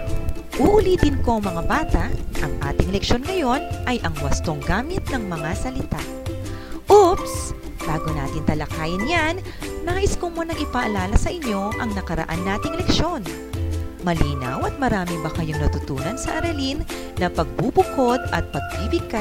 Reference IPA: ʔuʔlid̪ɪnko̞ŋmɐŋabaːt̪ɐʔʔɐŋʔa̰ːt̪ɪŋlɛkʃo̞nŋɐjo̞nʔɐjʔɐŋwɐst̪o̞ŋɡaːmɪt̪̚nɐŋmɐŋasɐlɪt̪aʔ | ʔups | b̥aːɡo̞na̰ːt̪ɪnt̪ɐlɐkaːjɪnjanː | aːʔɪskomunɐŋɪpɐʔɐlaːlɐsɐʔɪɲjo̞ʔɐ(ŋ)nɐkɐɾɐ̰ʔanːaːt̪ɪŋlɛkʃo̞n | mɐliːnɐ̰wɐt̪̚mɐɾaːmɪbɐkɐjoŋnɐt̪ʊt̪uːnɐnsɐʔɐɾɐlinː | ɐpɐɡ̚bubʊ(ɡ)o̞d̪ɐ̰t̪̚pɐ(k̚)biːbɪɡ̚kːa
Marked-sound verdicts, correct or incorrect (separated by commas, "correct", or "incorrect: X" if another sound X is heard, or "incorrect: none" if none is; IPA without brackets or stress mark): correct, incorrect: k, incorrect: ɡ̚